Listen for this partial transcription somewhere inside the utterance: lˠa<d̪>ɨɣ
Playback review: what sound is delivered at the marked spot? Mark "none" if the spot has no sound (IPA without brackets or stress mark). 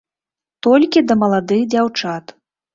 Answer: d̪